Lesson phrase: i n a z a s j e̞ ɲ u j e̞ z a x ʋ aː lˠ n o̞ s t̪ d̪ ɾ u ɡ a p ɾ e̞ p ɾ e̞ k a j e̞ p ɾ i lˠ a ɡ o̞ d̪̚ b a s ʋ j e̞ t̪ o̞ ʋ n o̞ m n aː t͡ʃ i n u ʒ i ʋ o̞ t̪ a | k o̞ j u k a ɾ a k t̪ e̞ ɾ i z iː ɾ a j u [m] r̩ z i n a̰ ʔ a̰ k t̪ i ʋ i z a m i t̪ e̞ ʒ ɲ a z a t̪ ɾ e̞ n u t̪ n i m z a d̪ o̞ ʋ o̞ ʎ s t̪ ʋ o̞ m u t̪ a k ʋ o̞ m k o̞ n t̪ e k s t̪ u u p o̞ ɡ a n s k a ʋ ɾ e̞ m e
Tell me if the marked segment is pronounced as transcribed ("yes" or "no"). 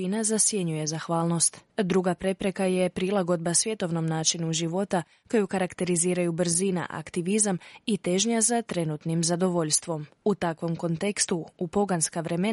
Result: no